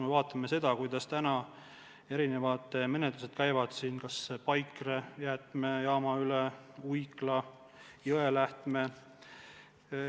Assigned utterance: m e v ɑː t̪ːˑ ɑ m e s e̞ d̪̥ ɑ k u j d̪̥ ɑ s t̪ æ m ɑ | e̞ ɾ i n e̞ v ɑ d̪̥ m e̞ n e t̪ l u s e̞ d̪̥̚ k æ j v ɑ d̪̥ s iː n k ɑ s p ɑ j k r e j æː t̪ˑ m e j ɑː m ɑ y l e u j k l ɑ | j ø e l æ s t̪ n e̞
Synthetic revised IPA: m e v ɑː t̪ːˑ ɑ m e s e̞ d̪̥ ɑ k u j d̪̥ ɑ s t̪ æ n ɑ | e̞ ɾ i n e̞ v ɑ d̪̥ m e̞ n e t̪ l u s e̞ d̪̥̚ k æ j v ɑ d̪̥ s iː n k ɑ s p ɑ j k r e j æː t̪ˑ m e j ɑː m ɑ y l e u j k l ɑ | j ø e l æ h t̪ m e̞

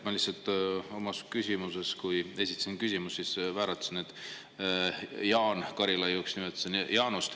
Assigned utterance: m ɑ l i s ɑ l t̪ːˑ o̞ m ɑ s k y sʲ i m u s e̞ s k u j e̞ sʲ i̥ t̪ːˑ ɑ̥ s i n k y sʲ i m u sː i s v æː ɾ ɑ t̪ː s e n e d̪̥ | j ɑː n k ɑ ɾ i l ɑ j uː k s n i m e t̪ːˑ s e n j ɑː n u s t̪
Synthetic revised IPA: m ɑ l i s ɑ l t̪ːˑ o̞ m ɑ s k y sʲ i m u s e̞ s k u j e̞ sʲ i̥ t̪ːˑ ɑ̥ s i n k y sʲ i m u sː i s v æː ɾ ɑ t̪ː s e n e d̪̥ | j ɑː n k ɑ ɾ i l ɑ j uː k s n i m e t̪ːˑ s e n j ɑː n u s t̪

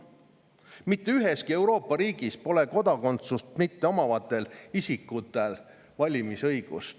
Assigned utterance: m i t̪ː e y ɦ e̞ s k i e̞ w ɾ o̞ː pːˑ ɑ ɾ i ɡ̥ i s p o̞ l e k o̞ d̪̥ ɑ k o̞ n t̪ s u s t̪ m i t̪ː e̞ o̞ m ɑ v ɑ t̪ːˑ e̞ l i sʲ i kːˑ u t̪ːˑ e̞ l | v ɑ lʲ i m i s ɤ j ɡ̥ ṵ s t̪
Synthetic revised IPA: m i t̪ː e y ɦ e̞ s k i e̞ w ɾ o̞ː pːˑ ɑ ɾ iː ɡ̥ i s p o̞ l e k o̞ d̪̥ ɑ k o̞ n t̪ s u s t̪ m i t̪ː e̞ o̞ m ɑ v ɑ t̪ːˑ e̞ l i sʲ i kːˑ u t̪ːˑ e̞ l | v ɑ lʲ i m i s ɤ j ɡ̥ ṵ s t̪

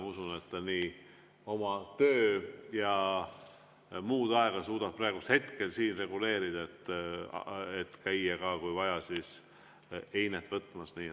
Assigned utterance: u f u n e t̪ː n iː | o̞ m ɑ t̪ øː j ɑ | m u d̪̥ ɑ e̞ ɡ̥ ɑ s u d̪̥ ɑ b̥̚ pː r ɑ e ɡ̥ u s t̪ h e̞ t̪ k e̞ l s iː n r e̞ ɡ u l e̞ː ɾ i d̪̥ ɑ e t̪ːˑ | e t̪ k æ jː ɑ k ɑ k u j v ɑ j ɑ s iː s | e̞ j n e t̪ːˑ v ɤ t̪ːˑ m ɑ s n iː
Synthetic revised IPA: u s u n e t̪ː n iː | o̞ m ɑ t̪ øː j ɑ | m uː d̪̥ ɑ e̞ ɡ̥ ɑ s uː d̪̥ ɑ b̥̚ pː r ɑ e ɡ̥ u s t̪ h e̞ t̪ k e̞ l s iː n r e̞ ɡ u l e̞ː ɾ i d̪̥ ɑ e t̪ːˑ | e t̪ k æ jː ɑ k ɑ k u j v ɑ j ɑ s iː s | e̞ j n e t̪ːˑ v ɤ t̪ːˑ m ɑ s n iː

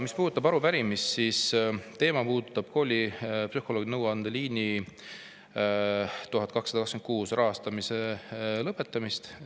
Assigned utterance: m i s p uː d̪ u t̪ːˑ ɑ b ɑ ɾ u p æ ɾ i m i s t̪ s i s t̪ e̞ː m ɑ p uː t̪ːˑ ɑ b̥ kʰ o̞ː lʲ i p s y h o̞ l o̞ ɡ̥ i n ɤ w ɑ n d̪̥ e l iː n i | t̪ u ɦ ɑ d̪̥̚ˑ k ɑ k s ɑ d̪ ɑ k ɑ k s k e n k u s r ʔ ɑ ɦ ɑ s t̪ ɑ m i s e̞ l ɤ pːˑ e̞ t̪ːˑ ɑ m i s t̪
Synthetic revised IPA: m i s p uː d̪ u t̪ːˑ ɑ b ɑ ɾ u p æ ɾ i m i s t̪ s i s t̪ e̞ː m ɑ p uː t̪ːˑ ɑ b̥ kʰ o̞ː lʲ i p s y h o̞ l o̞ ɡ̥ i n ɤ w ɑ n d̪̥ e l iː n i | t̪ u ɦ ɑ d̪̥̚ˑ k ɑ k s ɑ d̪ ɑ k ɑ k s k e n k uː s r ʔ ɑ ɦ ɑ s t̪ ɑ m i s e̞ l ɤ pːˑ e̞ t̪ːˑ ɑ m i s t̪

